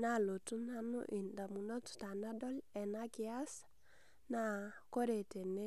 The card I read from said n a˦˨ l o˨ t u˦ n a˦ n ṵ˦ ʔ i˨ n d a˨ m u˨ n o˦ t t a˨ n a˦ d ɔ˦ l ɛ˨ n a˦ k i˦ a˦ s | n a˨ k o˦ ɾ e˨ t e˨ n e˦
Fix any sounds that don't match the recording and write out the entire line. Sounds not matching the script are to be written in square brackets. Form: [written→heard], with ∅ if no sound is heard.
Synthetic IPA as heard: n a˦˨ l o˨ t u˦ n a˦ n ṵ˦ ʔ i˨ n d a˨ m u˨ n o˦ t t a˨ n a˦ d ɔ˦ l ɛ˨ n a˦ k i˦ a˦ s | n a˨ k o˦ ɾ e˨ t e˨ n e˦